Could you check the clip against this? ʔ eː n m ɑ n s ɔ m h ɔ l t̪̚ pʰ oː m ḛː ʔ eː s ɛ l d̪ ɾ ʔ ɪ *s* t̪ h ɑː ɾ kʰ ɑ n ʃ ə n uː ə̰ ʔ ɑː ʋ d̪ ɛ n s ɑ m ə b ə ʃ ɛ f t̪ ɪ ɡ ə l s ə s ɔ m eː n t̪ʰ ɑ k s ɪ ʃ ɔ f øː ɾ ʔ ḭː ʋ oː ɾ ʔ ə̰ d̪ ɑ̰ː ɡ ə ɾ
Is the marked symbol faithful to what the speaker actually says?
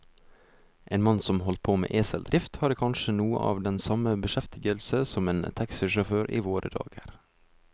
no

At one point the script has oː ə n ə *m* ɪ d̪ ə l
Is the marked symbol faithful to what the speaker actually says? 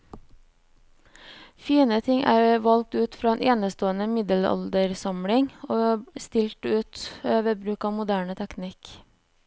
yes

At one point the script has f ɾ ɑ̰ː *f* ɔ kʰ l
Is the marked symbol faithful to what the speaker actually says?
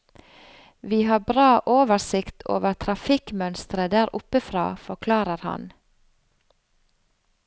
yes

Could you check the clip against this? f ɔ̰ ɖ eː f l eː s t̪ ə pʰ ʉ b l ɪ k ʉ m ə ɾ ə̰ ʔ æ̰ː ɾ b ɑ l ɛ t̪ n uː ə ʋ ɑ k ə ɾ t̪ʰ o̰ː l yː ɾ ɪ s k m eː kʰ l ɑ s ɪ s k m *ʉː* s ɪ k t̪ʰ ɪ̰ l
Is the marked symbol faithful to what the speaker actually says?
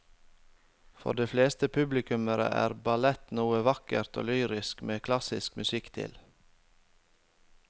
no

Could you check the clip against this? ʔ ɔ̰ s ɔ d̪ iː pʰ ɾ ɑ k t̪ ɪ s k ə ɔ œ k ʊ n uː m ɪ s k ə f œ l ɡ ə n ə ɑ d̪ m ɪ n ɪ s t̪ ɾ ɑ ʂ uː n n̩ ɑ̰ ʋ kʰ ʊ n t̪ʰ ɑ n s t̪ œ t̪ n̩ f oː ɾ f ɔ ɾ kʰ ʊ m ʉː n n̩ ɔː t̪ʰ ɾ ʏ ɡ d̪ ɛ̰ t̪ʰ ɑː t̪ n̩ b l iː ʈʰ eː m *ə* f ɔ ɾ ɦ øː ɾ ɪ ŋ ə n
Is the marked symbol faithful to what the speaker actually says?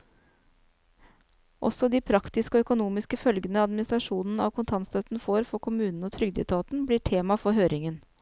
no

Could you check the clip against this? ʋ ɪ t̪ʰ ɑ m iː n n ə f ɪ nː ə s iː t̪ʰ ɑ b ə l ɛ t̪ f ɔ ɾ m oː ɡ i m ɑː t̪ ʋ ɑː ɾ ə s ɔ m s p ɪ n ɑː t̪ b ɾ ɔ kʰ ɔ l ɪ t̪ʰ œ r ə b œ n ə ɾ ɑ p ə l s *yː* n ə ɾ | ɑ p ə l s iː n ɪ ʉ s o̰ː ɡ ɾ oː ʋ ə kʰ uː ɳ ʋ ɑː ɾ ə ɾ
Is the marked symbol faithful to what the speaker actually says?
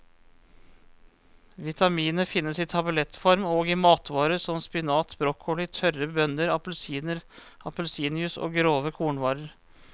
no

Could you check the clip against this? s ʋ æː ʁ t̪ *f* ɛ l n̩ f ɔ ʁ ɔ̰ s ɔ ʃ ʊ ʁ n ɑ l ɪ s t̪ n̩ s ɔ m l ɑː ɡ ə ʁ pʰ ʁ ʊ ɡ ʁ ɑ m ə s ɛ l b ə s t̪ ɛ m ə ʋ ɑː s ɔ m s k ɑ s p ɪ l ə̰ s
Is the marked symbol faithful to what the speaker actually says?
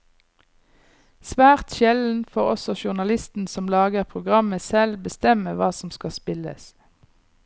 no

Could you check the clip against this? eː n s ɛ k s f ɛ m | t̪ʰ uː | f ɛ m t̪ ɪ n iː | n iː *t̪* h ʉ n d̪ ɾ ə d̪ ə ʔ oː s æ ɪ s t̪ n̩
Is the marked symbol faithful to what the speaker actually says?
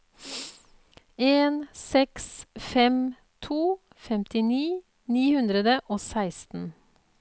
no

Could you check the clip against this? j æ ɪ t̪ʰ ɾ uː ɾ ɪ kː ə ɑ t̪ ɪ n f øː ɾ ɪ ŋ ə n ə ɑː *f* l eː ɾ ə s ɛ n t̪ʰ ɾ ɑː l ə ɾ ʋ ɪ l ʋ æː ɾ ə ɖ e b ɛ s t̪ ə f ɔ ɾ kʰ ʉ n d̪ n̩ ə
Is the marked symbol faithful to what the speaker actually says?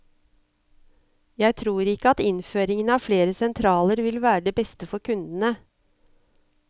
yes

